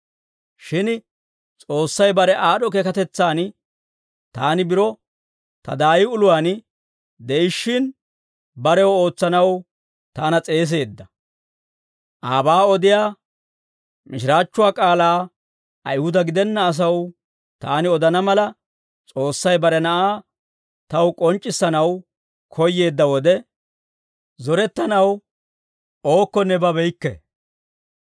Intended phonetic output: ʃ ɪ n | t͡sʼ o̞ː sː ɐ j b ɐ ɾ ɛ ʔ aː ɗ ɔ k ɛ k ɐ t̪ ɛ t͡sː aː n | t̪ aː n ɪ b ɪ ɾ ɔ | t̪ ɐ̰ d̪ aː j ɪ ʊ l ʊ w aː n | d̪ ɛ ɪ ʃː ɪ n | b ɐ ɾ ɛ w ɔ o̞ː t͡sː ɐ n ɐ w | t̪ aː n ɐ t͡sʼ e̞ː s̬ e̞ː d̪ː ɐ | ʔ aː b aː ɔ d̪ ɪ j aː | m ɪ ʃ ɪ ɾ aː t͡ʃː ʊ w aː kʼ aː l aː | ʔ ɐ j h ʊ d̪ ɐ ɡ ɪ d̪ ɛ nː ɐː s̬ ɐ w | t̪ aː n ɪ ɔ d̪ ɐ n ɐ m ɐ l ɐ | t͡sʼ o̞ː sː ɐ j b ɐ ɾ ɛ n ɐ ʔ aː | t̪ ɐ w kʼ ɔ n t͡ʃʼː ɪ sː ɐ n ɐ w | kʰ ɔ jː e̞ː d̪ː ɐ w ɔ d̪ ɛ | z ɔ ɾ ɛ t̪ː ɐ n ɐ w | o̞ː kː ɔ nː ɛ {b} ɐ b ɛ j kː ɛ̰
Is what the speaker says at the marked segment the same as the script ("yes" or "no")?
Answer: yes